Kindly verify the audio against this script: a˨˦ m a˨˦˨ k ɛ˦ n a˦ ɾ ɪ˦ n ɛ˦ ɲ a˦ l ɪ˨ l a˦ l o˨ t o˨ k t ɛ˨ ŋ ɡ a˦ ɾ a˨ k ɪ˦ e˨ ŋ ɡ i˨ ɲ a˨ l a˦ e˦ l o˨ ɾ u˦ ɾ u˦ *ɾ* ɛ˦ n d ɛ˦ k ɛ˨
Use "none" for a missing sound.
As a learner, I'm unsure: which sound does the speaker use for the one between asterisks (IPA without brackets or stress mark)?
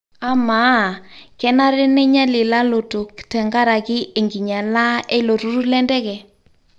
l